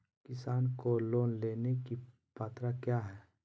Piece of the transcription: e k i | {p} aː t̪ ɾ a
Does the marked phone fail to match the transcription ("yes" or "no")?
no